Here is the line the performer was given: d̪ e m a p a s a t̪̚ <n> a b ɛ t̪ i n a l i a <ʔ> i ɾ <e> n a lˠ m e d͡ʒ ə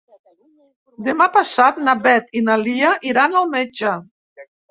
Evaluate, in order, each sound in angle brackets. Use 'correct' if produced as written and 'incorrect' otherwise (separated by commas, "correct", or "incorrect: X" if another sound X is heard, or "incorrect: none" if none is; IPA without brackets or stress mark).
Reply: correct, correct, incorrect: a